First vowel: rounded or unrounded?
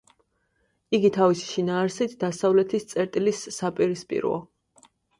unrounded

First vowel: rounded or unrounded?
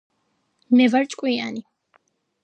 unrounded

